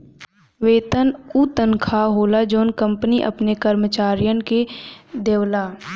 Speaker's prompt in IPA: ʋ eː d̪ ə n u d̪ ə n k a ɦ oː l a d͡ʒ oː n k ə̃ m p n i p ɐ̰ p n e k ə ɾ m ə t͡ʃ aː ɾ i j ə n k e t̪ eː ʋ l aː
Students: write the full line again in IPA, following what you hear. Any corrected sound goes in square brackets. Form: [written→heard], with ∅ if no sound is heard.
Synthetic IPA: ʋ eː [d̪→t̪] ə n u [d̪→t̪] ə n [k→kʰ] a ɦ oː l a d͡ʒ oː n k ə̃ m p n i [p→ʔ] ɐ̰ p n e k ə ɾ m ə t͡ʃ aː ɾ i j ə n k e [t̪→d̪] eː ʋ l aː

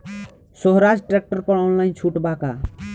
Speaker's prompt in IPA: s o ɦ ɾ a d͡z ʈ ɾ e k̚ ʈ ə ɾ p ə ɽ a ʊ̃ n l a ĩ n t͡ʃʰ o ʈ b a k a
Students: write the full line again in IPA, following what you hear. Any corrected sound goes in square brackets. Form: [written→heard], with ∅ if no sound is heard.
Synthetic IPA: s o ɦ ɾ a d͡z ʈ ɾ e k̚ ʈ ə ɾ p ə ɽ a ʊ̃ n l a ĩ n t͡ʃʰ [o→u] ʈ b a k a

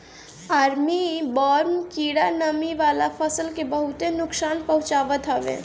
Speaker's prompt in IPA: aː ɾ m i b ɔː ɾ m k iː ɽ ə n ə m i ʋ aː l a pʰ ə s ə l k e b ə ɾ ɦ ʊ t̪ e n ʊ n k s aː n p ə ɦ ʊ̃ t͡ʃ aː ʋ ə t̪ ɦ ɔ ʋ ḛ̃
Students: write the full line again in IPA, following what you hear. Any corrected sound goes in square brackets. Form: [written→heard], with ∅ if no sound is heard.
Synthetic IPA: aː ɾ m i b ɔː ɾ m k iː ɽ [ə→a] n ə m i ʋ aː l a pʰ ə s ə l k e b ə [ɾ→∅] ɦ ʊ t̪ e n ʊ [n→∅] k s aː n p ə ɦ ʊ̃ t͡ʃ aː ʋ ə t̪ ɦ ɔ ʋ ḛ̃

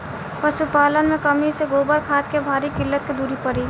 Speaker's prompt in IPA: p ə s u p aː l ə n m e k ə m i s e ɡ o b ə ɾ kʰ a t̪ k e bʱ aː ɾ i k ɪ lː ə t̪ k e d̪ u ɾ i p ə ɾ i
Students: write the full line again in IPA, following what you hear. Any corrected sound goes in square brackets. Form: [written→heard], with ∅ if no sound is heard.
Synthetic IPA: p ə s u p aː l ə n m e k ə m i s e ɡ o b ə ɾ kʰ a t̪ k e bʱ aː ɾ i k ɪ lː ə t̪ k e d̪ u ɾ i p ə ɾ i

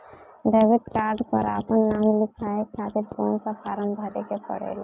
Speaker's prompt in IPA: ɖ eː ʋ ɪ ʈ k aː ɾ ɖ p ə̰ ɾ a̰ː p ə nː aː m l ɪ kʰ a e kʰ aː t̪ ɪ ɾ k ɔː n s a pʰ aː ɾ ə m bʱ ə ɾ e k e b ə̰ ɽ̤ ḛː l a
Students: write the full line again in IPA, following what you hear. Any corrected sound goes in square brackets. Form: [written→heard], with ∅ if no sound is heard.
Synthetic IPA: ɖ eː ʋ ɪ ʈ k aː ɾ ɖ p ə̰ ɾ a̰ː p ə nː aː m l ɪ kʰ a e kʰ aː t̪ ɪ ɾ k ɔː n s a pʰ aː ɾ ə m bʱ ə ɾ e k e [b→p] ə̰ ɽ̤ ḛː l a

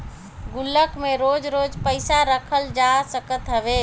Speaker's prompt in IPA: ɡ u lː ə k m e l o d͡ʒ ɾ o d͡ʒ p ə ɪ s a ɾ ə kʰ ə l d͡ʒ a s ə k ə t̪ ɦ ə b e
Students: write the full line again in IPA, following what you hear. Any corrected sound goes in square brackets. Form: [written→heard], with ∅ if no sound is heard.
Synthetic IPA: ɡ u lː ə k m e [l→ɾ] o d͡ʒ ɾ o d͡ʒ p ə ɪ s a ɾ ə kʰ ə l d͡ʒ a s ə k ə t̪ ɦ ə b e

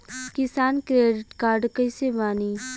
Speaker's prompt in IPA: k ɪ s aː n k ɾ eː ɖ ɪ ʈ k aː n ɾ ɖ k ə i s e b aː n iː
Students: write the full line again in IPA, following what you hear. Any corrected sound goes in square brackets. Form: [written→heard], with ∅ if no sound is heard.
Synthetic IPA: k ɪ s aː n k ɾ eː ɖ ɪ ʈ k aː [n→∅] ɾ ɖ k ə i s e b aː n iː

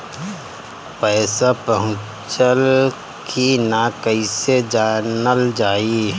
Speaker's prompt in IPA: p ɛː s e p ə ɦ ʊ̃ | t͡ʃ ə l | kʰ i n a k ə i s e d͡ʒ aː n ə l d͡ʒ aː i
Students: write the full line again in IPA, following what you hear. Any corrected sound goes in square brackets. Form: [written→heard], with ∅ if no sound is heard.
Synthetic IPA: p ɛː s [e→a] p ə ɦ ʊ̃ | t͡ʃ ə l | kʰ i n a k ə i s e d͡ʒ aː n ə l d͡ʒ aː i

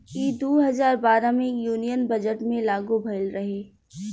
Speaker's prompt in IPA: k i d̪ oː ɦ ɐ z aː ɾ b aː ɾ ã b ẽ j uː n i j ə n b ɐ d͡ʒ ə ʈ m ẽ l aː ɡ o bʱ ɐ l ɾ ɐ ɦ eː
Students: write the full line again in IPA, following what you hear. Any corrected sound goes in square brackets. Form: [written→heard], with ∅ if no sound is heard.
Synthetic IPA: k i d̪ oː ɦ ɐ z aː ɾ b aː ɾ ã [b→m] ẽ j uː n i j ə n b ɐ d͡ʒ ə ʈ m ẽ l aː ɡ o bʱ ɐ l ɾ ɐ ɦ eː

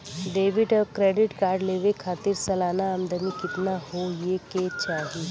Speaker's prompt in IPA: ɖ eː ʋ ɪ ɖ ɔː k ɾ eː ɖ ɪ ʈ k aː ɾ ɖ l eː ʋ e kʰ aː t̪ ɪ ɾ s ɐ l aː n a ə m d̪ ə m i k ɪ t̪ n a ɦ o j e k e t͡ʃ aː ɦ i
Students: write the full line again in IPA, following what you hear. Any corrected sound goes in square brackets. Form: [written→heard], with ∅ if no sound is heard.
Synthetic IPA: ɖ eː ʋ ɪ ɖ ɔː k ɾ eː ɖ ɪ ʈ k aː ɾ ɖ l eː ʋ e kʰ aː t̪ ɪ ɾ s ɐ l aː n a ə m d̪ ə m i k ɪ t̪ n a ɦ o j e k e t͡ʃ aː ɦ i

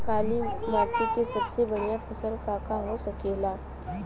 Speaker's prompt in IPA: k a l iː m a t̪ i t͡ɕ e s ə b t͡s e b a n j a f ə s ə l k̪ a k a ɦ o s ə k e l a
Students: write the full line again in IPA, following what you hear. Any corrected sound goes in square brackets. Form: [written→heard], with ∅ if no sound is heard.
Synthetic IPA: k a l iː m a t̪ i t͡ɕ e s ə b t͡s e b [a→ə] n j a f ə s ə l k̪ a k a ɦ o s ə k e l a

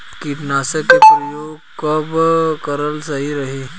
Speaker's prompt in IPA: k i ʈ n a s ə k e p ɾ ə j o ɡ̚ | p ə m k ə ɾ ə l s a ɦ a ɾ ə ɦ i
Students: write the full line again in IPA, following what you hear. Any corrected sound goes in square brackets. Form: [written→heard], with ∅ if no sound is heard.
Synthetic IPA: k i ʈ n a s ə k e p ɾ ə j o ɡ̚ | [p→k] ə [m→b] k ə ɾ ə l s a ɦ [a→i] ɾ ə ɦ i

